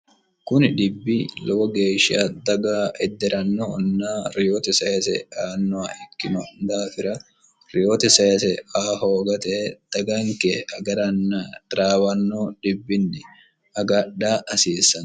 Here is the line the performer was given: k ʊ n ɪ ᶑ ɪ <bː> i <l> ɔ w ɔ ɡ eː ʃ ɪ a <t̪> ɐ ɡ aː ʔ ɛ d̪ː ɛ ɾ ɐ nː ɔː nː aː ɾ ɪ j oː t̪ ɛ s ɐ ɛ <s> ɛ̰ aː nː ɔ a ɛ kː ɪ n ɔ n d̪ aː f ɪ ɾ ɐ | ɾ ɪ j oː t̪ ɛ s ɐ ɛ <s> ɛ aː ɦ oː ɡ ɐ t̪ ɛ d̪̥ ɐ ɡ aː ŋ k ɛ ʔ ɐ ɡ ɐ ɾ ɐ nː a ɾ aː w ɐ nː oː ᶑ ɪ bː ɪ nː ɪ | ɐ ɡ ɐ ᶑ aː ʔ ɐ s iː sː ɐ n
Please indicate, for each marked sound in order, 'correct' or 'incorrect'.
correct, correct, incorrect: d̪, correct, correct

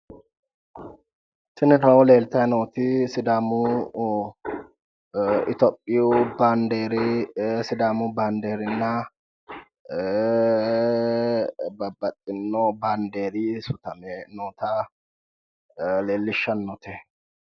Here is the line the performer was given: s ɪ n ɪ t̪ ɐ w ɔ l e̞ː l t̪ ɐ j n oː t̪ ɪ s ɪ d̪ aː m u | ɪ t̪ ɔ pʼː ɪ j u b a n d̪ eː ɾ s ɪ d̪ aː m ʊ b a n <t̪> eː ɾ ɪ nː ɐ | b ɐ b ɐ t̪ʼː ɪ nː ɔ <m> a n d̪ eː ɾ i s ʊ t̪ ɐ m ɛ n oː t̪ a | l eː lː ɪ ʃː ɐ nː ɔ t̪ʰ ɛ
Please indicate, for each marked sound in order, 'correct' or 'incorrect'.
incorrect: d̪, incorrect: b

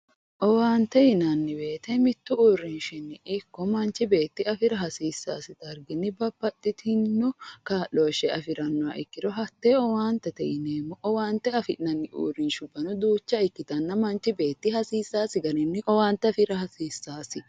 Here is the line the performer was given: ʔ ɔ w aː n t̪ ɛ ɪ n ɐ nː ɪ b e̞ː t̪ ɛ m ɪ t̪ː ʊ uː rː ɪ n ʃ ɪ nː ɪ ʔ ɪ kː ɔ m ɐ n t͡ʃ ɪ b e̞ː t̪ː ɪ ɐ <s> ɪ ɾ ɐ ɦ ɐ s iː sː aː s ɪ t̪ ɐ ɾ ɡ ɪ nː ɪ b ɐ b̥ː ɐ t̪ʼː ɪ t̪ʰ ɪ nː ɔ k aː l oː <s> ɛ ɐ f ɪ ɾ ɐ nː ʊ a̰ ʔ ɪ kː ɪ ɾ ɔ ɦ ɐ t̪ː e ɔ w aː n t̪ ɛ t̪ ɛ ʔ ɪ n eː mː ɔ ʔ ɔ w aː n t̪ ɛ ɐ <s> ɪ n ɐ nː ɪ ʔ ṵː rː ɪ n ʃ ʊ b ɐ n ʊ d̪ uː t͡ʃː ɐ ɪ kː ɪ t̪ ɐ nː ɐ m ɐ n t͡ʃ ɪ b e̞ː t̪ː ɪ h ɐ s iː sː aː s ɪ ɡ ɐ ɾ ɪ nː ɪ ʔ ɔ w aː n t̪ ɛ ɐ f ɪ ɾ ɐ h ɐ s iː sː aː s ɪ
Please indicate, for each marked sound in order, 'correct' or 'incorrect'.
incorrect: f, incorrect: ʃ, incorrect: f

